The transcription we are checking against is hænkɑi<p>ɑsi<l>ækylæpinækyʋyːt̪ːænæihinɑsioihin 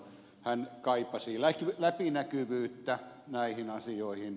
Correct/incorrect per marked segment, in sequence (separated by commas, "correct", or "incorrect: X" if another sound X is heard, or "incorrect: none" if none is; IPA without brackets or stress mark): correct, correct